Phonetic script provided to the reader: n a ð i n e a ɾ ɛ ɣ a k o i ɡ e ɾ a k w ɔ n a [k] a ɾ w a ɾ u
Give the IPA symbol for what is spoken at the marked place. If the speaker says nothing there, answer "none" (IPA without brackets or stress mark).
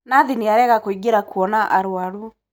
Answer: ʔ